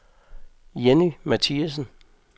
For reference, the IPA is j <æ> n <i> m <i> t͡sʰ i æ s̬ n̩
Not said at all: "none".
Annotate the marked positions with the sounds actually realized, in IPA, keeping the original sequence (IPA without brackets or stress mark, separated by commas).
e, i, æ